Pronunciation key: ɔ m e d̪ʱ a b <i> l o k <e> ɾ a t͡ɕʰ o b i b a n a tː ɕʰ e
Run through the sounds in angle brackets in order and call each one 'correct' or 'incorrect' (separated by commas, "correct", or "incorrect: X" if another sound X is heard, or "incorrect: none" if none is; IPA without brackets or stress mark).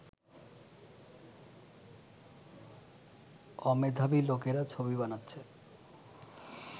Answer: correct, correct